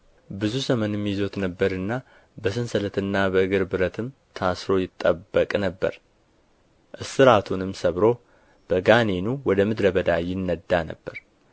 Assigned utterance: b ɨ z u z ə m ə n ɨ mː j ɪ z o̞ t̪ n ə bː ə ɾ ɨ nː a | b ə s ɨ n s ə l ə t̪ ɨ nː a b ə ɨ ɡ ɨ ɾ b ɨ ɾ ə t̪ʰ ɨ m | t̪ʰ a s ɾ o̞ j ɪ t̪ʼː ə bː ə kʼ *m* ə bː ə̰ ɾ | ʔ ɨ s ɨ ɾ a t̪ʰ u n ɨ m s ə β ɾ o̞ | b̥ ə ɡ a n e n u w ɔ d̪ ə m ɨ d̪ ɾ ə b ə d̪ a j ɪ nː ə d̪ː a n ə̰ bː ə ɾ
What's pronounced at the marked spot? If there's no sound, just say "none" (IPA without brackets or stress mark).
n